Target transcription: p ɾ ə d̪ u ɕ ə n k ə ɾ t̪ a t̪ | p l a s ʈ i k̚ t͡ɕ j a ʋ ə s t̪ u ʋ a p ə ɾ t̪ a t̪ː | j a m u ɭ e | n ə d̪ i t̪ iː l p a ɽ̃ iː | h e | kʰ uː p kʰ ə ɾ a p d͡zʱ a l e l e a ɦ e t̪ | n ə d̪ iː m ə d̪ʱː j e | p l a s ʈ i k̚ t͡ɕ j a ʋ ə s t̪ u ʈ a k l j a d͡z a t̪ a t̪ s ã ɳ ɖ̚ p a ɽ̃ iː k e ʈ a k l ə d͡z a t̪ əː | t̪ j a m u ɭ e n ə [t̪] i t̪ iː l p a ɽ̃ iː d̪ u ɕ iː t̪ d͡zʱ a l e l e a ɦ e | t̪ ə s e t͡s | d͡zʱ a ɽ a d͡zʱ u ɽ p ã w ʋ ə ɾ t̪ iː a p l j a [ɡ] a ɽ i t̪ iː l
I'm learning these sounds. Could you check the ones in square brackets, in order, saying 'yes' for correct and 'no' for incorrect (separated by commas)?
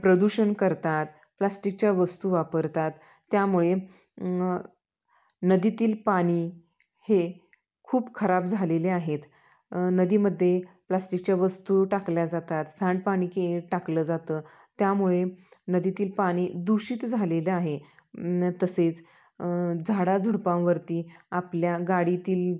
no, yes